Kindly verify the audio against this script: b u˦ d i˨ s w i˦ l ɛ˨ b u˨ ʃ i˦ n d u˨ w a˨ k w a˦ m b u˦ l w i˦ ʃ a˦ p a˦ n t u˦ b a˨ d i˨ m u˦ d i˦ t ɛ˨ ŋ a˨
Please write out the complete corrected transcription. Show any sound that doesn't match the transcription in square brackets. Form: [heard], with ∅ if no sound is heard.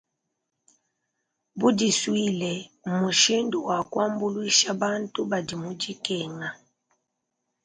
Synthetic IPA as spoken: b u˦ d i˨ s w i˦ l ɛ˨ [m] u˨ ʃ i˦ n d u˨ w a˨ k w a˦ m b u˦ l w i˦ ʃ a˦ [b] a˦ n t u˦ b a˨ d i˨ m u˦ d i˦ [k] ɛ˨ ŋ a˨

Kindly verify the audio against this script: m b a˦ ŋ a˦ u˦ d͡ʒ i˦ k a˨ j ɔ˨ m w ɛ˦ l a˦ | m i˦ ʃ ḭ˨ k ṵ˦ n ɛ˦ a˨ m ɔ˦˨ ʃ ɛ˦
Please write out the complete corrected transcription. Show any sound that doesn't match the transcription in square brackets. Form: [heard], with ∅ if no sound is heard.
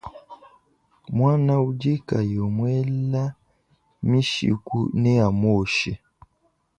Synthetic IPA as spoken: m [w] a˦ [n] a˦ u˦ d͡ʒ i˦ k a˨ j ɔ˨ m w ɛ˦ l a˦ | m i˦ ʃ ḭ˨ k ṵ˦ n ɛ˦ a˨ m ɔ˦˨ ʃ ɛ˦

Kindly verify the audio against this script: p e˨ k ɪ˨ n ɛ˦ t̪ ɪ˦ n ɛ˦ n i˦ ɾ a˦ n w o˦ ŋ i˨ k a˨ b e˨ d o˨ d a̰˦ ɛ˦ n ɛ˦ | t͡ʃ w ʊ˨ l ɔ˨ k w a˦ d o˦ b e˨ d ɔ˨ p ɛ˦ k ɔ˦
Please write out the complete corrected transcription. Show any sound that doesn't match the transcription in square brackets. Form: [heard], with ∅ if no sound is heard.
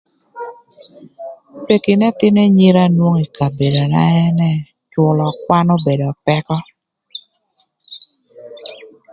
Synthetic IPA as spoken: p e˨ k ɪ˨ n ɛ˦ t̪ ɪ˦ n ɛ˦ [ɲ] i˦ ɾ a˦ n w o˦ ŋ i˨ k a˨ b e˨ d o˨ [n] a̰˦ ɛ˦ n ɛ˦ | t͡ʃ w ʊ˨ l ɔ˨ k w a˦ [n] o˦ b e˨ d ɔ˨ p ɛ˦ k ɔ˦

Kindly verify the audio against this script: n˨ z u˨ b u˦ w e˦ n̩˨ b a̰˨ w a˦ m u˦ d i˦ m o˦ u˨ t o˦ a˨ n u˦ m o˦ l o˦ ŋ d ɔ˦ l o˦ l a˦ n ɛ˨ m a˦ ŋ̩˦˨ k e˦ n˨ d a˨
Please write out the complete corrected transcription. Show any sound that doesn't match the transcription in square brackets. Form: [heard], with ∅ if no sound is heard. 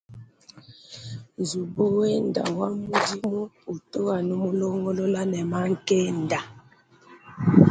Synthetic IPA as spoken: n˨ z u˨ b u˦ w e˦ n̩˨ [d] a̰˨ w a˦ m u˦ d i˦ m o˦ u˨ t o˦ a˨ n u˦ m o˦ l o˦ ŋ [ɡ] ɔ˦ l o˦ l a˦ n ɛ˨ m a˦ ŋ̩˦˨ k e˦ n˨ d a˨

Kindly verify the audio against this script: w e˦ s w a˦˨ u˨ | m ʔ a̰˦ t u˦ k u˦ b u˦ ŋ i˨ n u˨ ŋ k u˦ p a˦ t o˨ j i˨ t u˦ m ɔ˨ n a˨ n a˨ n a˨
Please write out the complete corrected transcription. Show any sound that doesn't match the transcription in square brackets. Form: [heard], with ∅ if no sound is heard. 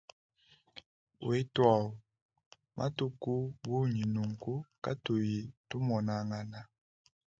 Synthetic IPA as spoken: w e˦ [t] w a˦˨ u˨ | m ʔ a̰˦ t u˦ k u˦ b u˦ [ɲ] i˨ n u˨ ŋ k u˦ [k] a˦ t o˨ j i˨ t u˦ m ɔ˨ n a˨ [ŋ] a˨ n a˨

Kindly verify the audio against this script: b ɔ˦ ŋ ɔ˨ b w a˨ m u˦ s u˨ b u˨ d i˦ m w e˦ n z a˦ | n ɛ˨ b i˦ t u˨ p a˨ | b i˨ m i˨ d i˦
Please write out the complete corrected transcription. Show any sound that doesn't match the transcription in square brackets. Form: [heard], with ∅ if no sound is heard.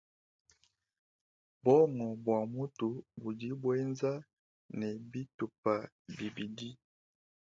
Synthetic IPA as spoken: b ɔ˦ ŋ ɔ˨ b w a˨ m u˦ [t] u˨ b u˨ d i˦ [b] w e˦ n z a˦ | n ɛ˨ b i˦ t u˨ p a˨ | b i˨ [b] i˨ d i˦

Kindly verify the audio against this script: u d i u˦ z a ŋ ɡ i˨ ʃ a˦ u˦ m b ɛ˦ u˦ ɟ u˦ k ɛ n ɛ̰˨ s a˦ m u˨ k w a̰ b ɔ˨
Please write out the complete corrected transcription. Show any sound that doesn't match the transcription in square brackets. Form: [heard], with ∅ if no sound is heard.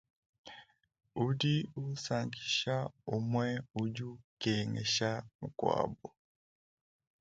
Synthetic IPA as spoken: u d i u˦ [s] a ŋ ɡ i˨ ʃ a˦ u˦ m [w] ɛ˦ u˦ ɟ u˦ k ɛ [ŋ] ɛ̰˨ [ʃ] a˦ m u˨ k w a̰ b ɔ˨

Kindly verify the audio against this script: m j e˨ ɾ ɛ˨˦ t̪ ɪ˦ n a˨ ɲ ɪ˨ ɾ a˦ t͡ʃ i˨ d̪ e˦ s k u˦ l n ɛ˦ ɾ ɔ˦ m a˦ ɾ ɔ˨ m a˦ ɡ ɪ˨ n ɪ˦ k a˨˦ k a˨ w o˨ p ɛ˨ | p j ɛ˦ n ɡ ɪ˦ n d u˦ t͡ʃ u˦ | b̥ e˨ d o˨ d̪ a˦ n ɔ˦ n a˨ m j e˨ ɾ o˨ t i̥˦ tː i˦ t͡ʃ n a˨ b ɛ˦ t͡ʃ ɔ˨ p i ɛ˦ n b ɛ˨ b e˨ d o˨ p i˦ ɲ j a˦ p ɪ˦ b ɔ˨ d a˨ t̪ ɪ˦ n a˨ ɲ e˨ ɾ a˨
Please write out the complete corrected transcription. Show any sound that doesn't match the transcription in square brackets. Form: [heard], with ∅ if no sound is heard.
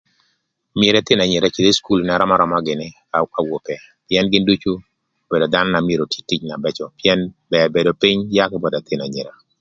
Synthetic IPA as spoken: m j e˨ ɾ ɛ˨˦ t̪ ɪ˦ n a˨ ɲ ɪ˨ ɾ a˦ t͡ʃ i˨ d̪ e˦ s k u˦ l n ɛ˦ ɾ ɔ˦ m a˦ ɾ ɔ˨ m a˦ ɡ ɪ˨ n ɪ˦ k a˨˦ k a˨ w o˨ p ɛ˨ | p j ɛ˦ n ɡ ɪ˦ n d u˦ t͡ʃ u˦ | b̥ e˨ d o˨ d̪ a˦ n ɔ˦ n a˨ m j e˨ ɾ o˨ t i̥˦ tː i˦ t͡ʃ n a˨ b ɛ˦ t͡ʃ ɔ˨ p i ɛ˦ n b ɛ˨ b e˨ d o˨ p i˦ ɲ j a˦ [k] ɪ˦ b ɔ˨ d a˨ t̪ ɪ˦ n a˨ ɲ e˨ ɾ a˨

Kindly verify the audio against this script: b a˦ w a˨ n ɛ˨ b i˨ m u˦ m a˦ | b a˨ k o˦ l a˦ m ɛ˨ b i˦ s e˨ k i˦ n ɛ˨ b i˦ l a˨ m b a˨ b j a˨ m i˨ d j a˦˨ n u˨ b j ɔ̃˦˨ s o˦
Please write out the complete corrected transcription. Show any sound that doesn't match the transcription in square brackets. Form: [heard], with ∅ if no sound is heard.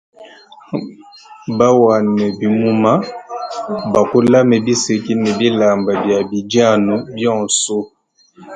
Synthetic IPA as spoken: b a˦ w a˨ n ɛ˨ b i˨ m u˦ m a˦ | b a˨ k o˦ l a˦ m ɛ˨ b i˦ s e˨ k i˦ n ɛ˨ b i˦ l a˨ m b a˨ b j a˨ [b] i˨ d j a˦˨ n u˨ b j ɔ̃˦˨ s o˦

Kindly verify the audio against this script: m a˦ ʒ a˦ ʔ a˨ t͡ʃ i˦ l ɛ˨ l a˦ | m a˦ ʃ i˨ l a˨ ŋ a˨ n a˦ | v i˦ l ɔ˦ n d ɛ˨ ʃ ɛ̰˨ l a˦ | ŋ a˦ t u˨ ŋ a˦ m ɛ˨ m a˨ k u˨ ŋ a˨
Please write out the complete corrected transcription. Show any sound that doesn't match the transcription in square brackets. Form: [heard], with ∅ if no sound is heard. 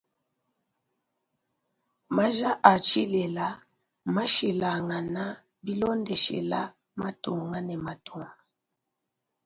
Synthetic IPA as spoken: m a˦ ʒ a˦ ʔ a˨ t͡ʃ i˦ l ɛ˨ l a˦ | m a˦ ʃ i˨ l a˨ ŋ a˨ n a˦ | [b] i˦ l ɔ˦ n d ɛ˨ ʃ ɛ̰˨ l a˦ | [m] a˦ t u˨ ŋ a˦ [n] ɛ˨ m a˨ [t] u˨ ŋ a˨

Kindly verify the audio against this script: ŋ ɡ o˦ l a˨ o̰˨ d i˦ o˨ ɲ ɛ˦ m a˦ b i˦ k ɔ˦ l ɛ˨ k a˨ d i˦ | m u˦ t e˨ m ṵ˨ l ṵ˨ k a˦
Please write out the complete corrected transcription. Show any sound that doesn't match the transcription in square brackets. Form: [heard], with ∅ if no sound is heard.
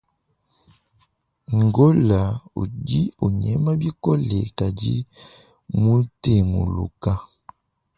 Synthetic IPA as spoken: ŋ ɡ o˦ l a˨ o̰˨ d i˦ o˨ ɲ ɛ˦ m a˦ b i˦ k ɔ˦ l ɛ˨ k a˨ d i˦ | m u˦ t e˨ m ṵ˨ l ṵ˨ k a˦

